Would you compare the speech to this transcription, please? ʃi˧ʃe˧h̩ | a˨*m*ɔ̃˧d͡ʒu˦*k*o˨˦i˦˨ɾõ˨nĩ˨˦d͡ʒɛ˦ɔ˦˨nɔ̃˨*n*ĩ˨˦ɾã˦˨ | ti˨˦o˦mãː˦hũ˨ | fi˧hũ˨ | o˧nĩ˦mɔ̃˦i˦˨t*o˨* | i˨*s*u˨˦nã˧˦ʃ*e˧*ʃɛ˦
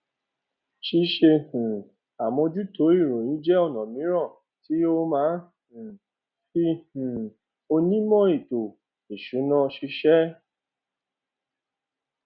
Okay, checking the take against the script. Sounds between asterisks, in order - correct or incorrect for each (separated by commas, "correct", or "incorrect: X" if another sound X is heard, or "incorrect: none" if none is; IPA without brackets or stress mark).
correct, incorrect: t, incorrect: m, correct, incorrect: ʃ, incorrect: i˧